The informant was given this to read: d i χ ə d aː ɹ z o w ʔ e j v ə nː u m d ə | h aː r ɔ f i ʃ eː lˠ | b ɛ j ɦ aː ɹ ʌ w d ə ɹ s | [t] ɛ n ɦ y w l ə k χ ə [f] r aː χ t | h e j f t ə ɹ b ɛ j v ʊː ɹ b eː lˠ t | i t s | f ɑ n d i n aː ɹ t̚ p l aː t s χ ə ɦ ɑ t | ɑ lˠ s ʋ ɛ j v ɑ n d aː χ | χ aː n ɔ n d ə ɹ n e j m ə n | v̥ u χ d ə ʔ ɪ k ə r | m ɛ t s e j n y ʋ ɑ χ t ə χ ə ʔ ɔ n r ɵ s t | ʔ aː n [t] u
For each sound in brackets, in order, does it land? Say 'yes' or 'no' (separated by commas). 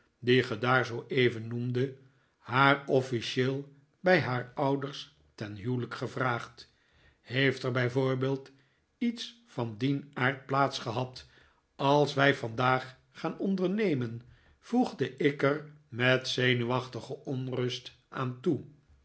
yes, no, yes